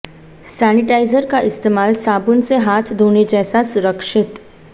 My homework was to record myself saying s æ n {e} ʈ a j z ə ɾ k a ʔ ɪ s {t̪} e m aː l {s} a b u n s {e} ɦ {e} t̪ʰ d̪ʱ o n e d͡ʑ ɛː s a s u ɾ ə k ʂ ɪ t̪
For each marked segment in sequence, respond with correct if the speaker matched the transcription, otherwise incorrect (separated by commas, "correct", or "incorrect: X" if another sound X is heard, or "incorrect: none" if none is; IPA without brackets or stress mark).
incorrect: i, correct, correct, correct, incorrect: a